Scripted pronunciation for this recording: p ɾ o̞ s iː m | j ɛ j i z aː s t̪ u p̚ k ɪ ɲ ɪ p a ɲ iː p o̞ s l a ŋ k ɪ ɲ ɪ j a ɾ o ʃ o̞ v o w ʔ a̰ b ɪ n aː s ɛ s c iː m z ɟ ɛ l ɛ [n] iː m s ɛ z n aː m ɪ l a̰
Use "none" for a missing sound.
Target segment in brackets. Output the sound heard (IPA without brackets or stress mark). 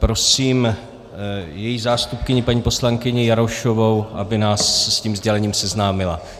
ɲ